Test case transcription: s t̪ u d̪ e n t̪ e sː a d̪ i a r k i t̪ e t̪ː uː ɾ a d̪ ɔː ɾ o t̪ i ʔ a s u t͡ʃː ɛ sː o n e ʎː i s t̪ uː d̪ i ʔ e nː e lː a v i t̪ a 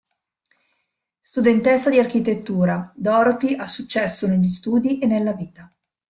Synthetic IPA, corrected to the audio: s t̪ u d̪ e n t̪ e sː a d̪ i a r k i t̪ e t̪ː uː ɾ a d̪ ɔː ɾ o t̪ i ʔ a s u t͡ʃː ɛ sː o n e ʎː i s t̪ uː d̪ i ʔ e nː e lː a v iː t̪ a